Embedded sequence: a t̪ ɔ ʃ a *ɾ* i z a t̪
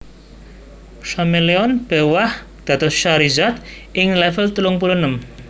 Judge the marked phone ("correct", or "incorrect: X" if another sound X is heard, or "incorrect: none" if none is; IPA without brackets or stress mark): correct